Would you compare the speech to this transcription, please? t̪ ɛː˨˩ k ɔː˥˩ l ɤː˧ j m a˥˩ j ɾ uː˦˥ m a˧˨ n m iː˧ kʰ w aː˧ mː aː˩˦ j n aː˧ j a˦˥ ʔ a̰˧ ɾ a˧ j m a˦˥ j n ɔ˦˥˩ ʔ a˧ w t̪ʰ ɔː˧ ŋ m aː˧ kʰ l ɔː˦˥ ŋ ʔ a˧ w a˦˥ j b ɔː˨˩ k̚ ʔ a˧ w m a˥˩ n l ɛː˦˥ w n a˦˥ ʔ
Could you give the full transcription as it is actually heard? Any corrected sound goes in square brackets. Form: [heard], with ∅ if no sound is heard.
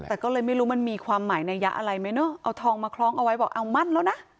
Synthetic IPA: t̪ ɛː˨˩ k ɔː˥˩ l ɤː˧ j m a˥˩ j ɾ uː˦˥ m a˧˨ n m iː˧ kʰ w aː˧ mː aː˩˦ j n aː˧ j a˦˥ ʔ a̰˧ ɾ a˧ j m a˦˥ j n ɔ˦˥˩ ʔ a˧ w t̪ʰ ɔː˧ ŋ m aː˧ kʰ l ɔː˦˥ ŋ ʔ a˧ w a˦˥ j b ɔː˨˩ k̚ ʔ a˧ w m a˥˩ n l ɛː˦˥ w n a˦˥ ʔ